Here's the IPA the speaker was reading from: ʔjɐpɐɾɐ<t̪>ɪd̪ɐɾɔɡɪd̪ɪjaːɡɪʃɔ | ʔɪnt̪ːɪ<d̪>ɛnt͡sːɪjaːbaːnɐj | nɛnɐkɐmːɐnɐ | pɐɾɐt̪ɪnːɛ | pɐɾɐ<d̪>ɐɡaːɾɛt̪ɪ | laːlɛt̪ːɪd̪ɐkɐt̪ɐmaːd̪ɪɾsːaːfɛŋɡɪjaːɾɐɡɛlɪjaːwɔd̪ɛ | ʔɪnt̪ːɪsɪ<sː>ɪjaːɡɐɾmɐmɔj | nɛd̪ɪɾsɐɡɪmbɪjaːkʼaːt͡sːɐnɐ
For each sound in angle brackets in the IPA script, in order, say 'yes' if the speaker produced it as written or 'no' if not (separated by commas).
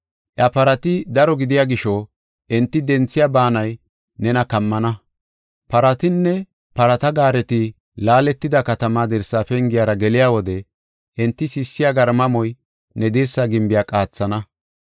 yes, yes, no, yes